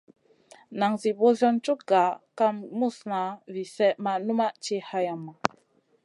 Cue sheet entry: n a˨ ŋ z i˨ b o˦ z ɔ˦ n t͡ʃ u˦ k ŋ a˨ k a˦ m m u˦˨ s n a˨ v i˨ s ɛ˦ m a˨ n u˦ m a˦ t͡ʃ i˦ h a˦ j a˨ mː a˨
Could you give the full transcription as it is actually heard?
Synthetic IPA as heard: n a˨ ŋ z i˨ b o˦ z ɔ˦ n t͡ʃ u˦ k ɡ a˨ k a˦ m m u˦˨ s n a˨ v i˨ s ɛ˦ m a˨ n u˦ m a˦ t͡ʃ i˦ h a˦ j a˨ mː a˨

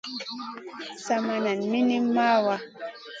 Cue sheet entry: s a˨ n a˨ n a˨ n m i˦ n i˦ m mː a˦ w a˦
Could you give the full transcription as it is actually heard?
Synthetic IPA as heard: s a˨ m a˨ n a˨ n m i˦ n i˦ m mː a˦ w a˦

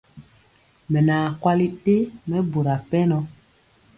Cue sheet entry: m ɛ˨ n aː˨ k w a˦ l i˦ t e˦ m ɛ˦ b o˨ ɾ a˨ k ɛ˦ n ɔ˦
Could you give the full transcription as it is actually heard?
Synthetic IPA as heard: m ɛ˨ n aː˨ k w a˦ l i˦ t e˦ m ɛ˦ b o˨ ɾ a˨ p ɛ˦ n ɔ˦

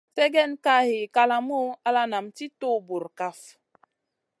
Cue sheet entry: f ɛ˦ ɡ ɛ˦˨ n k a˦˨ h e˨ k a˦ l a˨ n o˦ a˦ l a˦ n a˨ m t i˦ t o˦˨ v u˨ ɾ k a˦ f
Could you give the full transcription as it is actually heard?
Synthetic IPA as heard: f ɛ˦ ɡ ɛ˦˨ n k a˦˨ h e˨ k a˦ l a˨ m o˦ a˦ l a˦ n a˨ m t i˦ t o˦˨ b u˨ ɾ k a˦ f

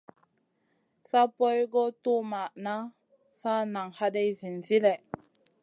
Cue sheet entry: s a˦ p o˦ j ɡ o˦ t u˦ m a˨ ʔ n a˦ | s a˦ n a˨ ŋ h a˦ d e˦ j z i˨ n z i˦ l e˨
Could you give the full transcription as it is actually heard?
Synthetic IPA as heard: s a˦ p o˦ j ɡ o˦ t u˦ m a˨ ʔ n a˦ | s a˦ n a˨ ŋ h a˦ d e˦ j z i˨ n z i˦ l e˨

